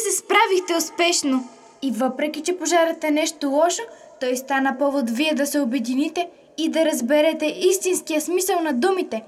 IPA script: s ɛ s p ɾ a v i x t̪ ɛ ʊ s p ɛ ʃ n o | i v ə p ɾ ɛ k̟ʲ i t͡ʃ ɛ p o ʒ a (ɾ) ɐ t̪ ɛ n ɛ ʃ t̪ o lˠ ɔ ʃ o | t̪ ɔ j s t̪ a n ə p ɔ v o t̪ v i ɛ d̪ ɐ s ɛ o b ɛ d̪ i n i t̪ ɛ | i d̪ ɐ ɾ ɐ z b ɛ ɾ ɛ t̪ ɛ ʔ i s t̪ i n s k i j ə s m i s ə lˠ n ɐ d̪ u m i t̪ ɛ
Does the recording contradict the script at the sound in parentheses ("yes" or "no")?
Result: no